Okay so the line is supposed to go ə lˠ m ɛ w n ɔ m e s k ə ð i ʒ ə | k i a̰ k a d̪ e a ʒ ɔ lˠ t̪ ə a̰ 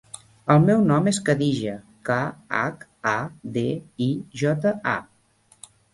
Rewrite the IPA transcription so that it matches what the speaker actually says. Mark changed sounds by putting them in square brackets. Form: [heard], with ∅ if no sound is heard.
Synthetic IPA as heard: ə lˠ m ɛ w n ɔ m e s k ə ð i ʒ ə | k [a] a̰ k a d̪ e [i] ʒ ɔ [∅] t̪ ə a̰